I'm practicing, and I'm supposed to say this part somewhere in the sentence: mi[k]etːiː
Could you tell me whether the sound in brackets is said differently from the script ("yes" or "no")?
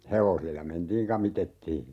yes